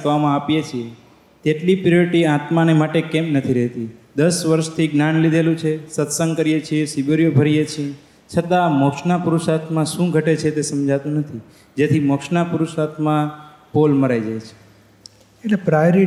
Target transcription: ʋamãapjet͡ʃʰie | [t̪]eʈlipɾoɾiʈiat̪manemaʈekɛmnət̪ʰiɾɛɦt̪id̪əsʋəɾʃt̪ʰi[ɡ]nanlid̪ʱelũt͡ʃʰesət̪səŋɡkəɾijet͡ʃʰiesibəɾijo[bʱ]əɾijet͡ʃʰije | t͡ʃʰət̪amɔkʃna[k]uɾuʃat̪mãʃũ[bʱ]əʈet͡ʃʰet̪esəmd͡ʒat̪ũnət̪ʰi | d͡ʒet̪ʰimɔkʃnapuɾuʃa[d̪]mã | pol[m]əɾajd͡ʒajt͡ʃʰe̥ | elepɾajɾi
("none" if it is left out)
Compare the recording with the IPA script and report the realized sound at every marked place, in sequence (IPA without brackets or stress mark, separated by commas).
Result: t̪, ɡ, bʱ, p, ɡʱ, t̪, m